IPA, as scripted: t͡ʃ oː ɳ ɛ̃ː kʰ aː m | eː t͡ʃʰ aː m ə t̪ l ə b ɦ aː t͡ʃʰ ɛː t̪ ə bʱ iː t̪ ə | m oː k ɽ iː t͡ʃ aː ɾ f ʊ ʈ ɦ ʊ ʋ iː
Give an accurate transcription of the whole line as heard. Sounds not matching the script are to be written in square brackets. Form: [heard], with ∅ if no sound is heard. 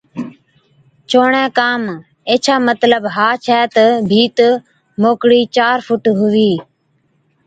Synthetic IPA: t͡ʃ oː ɳ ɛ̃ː [k] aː m | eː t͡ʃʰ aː m ə t̪ l ə b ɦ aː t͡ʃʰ ɛː t̪ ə bʱ iː t̪ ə | m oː k ɽ iː t͡ʃ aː ɾ f ʊ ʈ ɦ ʊ ʋ iː